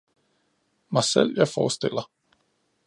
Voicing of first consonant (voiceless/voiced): voiced